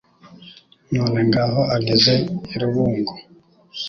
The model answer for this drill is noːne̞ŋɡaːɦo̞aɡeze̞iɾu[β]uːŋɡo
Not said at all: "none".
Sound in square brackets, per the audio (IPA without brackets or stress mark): β